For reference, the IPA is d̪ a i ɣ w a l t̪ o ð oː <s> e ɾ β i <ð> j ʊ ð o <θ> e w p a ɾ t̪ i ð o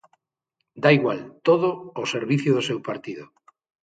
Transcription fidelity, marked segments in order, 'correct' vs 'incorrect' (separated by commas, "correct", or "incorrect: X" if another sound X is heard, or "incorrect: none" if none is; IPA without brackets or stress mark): correct, incorrect: θ, incorrect: s